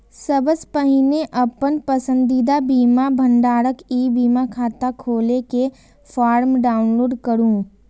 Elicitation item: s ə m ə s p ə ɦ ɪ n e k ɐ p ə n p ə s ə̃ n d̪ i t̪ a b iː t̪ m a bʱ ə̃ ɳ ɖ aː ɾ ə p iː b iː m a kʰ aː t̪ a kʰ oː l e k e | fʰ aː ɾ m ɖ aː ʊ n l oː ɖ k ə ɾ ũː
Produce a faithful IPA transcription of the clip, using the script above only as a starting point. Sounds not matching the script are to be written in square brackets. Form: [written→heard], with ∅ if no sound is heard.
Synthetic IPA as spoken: s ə [m→b] ə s p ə ɦ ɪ n e [k→ʔ] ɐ p ə n p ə s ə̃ n d̪ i [t̪→d̪] a b iː [t̪→∅] m a bʱ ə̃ ɳ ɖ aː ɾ ə [p→k] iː b iː m a kʰ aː t̪ a kʰ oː l e k e | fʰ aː ɾ m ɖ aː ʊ n l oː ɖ k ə ɾ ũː

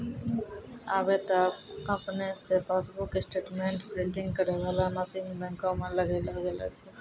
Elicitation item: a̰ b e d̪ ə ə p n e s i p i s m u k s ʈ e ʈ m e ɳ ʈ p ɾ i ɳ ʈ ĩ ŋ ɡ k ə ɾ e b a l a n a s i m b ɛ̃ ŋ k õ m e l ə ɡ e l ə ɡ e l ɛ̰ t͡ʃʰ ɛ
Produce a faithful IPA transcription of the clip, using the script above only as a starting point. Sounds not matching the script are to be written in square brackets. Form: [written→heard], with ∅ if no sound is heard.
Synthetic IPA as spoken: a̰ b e [d̪→t̪] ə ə p n e s [i→e] p [i→a] s [m→b] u k s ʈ e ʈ m e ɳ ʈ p ɾ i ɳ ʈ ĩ ŋ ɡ k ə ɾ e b a l a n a s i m b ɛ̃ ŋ k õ m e l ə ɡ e l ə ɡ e l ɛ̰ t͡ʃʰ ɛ

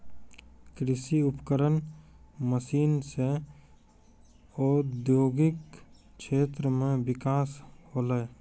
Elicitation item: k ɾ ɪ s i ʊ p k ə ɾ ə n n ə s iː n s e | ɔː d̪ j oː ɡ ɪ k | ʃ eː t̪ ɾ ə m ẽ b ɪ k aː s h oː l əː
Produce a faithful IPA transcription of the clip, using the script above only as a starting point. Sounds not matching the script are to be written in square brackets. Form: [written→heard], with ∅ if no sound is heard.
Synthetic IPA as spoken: k ɾ ɪ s i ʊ p k ə ɾ ə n [n→m] ə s iː n s e | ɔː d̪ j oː ɡ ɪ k | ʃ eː t̪ ɾ ə m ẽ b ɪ k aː s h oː l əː

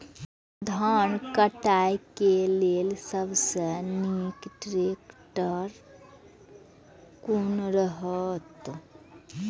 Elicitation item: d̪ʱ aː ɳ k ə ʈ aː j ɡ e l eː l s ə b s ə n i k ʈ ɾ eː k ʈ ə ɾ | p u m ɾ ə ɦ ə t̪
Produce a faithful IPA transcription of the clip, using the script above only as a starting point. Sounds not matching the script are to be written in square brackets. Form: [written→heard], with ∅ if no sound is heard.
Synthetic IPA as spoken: d̪ʱ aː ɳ k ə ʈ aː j [ɡ→k] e l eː l s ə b s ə n i k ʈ ɾ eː k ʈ ə ɾ | [p→k] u [m→n] ɾ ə ɦ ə t̪

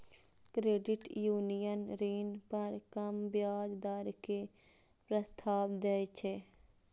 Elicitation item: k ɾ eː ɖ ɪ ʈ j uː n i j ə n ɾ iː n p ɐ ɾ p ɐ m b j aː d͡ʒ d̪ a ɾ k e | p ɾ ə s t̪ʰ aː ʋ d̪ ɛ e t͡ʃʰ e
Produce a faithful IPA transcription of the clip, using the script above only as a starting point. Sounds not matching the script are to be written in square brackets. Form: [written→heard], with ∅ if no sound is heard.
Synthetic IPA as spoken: k ɾ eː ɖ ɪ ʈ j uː n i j ə n ɾ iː n p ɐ ɾ [p→k] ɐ m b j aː d͡ʒ d̪ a ɾ k e | p ɾ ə s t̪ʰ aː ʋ d̪ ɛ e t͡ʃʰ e

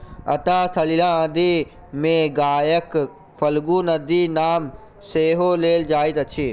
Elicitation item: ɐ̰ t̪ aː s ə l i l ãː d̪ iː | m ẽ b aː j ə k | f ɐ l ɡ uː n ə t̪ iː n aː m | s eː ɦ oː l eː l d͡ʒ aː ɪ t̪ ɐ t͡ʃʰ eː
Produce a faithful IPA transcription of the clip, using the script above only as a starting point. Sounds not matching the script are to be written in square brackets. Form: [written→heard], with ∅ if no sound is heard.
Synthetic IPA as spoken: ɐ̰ t̪ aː s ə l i l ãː d̪ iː | m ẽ [b→ɡ] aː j ə k | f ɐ l ɡ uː n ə [t̪→d̪] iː n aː m | s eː ɦ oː l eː l d͡ʒ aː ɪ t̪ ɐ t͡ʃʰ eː

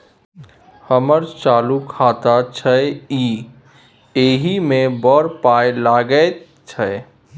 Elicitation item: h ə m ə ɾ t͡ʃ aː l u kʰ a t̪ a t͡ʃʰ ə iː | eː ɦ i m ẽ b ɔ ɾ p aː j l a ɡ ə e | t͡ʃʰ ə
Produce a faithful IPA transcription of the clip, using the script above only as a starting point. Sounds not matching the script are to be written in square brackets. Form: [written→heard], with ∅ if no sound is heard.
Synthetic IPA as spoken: h ə m ə ɾ t͡ʃ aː l u kʰ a t̪ a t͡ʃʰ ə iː | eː ɦ i m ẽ b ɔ ɾ p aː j l a ɡ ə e | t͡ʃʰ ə

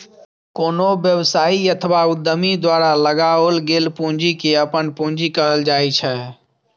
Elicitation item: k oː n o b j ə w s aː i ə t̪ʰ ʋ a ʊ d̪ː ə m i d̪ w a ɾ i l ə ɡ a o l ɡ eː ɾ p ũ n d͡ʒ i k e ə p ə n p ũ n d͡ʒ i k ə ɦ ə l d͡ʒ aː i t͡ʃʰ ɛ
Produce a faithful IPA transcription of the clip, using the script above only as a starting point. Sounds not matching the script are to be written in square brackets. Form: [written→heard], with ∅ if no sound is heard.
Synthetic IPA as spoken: k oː n o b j ə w s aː i ə t̪ʰ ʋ a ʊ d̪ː ə m i d̪ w a ɾ [i→a] l ə ɡ a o l ɡ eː [ɾ→l] p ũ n d͡ʒ i k e ə p ə n p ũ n d͡ʒ i k ə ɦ ə l d͡ʒ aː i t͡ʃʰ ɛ

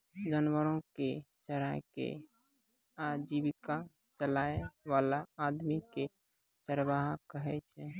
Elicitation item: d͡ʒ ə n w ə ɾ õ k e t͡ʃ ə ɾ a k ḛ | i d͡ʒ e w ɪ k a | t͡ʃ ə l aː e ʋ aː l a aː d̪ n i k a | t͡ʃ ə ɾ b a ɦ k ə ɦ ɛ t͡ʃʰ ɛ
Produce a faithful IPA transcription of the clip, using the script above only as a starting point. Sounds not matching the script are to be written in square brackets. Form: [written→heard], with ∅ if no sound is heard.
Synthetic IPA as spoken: d͡ʒ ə n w ə ɾ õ k e t͡ʃ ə ɾ a k ḛ | [i→a] d͡ʒ [e→i] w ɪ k a | t͡ʃ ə l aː e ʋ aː l a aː d̪ [n→m] i k [a→e] | t͡ʃ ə ɾ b a ɦ k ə ɦ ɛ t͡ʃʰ ɛ

